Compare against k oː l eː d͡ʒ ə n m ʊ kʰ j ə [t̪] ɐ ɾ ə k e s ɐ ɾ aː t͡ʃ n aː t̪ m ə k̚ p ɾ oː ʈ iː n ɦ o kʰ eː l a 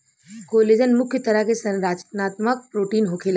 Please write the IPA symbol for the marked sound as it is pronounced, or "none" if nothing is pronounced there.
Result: t̪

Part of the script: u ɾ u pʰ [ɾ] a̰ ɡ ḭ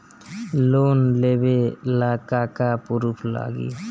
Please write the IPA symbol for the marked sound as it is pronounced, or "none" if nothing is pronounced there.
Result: l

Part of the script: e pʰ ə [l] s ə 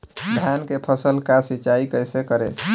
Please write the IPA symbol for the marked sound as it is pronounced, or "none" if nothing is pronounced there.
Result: none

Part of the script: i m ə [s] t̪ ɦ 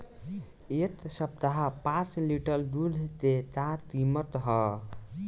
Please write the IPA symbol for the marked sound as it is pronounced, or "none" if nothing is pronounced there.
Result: none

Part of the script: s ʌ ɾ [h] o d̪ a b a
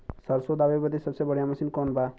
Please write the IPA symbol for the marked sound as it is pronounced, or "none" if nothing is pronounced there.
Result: s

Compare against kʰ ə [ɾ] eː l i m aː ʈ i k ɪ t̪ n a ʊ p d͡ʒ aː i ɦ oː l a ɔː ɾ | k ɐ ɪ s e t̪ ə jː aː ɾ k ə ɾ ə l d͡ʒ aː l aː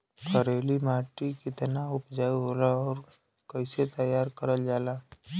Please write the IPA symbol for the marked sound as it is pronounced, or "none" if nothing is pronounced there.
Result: ɾ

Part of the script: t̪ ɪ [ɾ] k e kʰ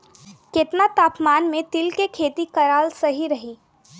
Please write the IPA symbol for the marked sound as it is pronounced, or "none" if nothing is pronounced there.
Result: l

